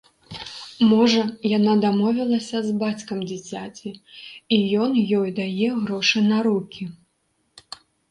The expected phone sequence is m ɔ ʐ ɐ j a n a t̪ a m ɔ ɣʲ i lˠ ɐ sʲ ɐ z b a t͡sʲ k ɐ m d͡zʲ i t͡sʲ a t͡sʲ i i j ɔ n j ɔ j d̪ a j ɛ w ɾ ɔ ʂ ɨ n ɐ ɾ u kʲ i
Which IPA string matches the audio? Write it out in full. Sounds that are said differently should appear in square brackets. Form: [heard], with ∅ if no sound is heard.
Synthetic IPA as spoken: m ɔ ʐ ɐ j a n a [d̪] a m ɔ [vʲ] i lˠ ɐ sʲ ɐ z b a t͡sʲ k ɐ m d͡zʲ i t͡sʲ a t͡sʲ i i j ɔ n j ɔ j d̪ a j ɛ [ɣ] ɾ ɔ ʂ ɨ n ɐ ɾ u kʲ i